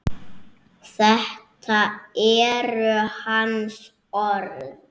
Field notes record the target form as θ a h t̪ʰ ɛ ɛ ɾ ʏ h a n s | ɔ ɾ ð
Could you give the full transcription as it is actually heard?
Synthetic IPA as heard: θ ɛ h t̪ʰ a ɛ ɾ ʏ h a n s | ɔ ɾ ð

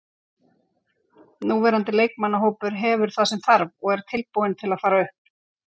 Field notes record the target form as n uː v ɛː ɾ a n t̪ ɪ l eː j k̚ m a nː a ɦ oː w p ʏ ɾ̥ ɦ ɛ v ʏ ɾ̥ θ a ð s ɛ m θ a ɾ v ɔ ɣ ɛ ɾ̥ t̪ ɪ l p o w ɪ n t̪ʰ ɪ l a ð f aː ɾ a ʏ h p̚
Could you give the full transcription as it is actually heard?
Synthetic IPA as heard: n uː v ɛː ɾ a n t̪ ɪ l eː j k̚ m a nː a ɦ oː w p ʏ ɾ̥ ɦ ɛ v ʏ ɾ̥ θ a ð s ɛ m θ a ɾ v ɔ ɣ ɛ ɾ̥ t̪ʰ ɪ l p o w ɪ n t̪ʰ ɪ l a ð f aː ɾ a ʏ h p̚

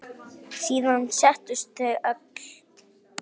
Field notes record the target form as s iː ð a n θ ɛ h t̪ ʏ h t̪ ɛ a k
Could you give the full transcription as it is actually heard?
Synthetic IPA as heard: s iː ð a n s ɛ h t̪ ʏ s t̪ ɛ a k

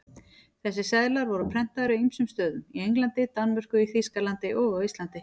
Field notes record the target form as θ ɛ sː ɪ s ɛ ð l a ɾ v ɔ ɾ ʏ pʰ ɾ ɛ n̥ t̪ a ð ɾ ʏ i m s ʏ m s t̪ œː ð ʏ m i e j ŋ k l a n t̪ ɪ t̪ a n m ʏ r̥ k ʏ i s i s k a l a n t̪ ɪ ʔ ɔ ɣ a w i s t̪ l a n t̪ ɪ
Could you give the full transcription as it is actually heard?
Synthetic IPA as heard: θ ɛ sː ɪ s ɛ ð l a ɾ v ɔ ɾ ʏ pʰ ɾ ɛ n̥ t̪ a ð ɾ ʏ i m s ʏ m s t̪ œː ð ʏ m i e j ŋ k l a n t̪ ɪ t̪ a n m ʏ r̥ k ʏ i θ i s k a l a n t̪ ɪ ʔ ɔ ɣ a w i s t̪ l a n t̪ ɪ

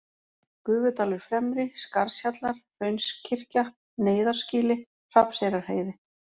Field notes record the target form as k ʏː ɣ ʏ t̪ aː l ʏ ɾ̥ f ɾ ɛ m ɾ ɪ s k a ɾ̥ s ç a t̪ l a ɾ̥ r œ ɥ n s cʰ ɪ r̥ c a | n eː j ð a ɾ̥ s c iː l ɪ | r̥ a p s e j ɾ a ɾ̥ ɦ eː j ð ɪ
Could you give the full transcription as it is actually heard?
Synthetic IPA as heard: k ʏː v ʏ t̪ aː l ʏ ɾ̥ f ɾ ɛ m ɾ ɪ s k a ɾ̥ s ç a t̪ l a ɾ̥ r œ ɥ n s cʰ ɪ r̥ c a | n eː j ð a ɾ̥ s c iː l ɪ | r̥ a p s e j ɾ a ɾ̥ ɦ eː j ð ɪ

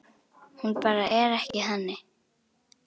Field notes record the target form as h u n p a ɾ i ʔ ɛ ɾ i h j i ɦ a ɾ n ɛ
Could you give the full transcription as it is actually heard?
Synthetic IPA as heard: h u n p a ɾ a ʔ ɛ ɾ a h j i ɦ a n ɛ

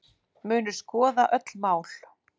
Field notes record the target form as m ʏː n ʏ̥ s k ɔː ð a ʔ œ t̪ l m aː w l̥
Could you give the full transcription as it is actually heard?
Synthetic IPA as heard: m ʏː n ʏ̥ s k ɔː ð a ʔ œ t̪ l m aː w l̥

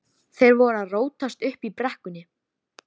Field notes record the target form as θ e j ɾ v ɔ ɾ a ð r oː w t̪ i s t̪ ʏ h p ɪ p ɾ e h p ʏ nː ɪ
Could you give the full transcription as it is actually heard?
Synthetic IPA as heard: θ e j ɾ v ɔ ɾ a ð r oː w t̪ a s t̪ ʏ h p i p ɾ ɛ h k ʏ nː ɪ

